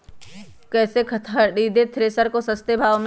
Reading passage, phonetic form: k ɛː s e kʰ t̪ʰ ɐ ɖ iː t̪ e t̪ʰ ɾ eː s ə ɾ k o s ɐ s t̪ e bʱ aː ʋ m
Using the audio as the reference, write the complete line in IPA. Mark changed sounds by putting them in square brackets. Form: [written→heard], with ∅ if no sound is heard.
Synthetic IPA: k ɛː s e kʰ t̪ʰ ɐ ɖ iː [t̪→d̪] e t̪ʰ ɾ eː s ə ɾ k o s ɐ s t̪ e bʱ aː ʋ m